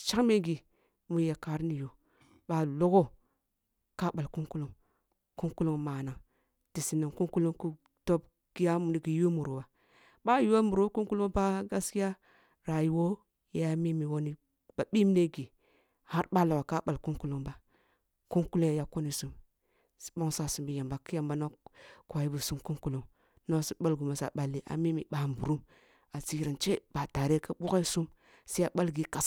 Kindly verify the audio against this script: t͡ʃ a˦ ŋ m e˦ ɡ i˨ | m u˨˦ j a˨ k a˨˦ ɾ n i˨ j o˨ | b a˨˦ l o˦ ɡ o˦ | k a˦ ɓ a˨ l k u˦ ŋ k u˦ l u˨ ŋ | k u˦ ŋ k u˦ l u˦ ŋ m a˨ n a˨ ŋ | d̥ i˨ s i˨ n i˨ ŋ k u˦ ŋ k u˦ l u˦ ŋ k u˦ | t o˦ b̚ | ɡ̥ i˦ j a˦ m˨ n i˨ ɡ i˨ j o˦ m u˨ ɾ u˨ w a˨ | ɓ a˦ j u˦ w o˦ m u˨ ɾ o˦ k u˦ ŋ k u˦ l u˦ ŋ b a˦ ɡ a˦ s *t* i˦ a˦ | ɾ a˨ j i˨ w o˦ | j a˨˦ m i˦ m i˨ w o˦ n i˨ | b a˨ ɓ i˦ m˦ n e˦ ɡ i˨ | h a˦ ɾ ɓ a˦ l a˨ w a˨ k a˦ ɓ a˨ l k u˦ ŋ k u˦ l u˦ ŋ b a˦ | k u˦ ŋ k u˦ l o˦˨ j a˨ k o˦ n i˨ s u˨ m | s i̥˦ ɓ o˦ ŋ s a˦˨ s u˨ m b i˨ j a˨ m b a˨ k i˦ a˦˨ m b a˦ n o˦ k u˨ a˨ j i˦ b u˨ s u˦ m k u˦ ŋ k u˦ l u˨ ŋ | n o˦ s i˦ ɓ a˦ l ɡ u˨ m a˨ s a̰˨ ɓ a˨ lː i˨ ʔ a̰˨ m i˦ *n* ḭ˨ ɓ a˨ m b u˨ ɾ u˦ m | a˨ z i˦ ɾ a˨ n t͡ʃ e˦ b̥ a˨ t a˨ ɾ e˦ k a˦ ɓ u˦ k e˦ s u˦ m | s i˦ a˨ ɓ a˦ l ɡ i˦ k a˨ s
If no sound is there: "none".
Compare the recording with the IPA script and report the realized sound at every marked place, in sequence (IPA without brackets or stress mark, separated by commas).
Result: k, m